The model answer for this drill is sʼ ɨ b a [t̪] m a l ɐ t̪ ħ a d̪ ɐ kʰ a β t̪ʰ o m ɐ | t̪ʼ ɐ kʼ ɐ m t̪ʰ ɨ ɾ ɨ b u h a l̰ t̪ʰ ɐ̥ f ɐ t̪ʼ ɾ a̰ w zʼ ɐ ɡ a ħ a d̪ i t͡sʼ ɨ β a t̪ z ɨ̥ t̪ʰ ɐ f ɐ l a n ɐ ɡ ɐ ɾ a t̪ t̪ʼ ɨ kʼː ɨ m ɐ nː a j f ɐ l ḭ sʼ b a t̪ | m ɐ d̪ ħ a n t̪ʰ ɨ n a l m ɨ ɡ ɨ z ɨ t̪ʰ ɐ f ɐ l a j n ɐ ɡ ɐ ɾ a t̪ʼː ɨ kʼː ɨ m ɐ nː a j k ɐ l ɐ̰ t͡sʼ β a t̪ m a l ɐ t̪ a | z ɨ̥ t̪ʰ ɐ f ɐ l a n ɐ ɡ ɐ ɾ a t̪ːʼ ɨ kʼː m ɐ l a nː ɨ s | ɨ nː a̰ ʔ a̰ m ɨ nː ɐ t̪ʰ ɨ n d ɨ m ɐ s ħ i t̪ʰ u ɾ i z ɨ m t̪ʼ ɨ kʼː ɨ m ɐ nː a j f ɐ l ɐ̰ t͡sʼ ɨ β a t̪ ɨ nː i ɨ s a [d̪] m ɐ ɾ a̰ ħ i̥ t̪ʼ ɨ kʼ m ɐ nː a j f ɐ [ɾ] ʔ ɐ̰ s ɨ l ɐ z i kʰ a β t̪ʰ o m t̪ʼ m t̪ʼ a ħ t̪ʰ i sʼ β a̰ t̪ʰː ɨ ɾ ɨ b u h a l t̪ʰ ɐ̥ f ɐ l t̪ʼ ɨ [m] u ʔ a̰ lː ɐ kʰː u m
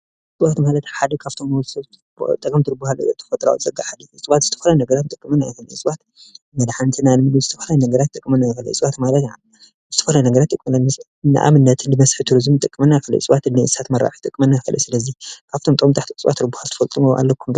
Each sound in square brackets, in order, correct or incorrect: correct, incorrect: t̪, incorrect: l, correct

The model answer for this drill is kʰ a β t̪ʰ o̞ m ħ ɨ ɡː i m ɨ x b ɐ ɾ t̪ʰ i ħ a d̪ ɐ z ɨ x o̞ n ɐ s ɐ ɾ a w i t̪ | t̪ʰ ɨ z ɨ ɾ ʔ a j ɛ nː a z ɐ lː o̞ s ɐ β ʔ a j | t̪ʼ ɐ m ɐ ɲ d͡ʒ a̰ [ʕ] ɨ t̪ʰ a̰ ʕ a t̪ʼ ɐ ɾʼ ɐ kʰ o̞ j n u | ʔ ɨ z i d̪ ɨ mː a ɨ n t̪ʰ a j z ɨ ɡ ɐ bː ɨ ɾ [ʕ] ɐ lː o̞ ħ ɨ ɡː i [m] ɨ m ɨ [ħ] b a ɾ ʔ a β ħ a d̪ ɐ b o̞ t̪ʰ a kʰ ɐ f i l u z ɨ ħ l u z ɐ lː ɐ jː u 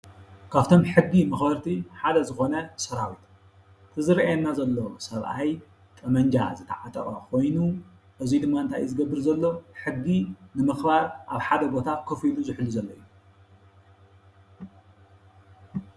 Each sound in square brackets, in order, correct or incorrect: incorrect: z, incorrect: z, incorrect: n, incorrect: x

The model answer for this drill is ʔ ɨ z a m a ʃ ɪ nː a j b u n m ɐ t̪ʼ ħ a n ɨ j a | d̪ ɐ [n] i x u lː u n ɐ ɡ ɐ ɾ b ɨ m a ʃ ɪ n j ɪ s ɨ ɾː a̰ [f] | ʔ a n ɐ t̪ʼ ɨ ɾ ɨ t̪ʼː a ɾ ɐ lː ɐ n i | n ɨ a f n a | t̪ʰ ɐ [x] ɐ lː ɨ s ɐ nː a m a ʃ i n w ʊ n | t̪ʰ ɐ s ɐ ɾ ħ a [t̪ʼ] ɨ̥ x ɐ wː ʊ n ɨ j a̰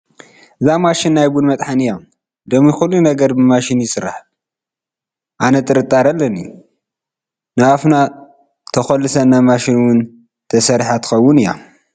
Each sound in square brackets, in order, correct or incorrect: incorrect: m, incorrect: ħ, correct, incorrect: t̪

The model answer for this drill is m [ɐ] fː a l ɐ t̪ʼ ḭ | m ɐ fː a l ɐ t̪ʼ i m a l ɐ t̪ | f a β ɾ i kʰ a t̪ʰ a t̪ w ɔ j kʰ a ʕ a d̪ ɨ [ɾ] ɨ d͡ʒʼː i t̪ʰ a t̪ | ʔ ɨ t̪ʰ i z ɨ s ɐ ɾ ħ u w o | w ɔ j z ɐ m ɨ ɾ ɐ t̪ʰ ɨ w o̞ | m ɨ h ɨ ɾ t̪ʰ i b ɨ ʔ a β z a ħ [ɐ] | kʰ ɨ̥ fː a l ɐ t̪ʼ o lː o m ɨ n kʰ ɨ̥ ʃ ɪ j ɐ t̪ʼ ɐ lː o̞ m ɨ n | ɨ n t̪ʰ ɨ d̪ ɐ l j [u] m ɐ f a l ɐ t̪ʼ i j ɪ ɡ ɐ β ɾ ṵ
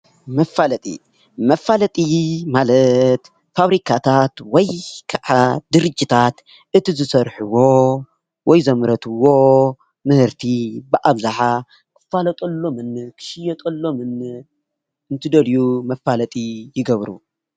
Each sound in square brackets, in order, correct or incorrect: correct, correct, incorrect: a, correct

